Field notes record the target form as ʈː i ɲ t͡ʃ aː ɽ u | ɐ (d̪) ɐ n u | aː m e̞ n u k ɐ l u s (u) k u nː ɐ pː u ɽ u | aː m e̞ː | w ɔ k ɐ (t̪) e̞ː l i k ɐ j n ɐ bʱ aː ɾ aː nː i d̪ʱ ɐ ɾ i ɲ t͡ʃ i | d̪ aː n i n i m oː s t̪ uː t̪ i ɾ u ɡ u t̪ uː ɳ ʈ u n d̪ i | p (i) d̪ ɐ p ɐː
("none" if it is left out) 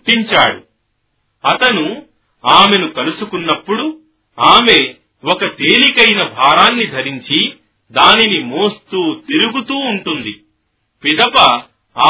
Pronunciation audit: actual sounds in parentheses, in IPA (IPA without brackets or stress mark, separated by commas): t̪, u, t̪, i